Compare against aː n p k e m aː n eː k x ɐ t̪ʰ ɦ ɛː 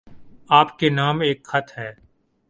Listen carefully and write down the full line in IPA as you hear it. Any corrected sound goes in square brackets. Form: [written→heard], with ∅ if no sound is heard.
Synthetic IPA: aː [n→∅] p k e [m→n] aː [n→m] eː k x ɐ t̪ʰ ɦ ɛː